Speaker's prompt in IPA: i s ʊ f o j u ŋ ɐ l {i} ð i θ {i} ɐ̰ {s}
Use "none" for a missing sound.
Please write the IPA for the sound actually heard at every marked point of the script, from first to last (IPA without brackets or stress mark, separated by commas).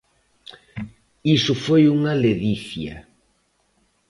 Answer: e, j, none